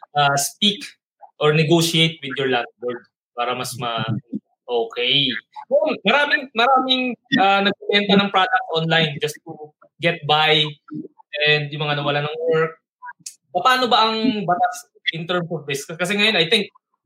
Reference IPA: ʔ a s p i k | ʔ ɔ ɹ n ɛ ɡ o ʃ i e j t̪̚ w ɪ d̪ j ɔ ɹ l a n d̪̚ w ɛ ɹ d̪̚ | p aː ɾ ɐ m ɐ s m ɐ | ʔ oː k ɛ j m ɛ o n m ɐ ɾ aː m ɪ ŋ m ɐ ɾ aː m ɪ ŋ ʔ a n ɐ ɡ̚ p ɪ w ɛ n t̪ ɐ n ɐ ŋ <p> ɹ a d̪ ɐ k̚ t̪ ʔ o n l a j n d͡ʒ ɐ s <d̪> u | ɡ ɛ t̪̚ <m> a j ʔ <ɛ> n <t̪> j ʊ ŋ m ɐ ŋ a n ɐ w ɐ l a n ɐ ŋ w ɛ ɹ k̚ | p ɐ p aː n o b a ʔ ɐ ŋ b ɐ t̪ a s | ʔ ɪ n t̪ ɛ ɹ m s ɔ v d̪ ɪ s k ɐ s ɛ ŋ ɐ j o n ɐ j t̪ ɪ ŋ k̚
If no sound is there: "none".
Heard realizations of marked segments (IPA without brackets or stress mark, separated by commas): p, t̪, b, ɛ, d̪